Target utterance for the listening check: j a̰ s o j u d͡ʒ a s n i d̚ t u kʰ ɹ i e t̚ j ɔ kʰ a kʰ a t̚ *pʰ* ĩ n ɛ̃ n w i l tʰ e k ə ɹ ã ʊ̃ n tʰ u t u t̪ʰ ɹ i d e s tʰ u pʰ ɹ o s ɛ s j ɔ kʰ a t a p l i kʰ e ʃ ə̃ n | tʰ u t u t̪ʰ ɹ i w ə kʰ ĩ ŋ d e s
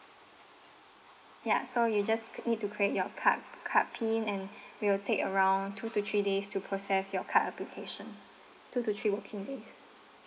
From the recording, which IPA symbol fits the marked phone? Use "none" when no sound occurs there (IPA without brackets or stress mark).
pʰ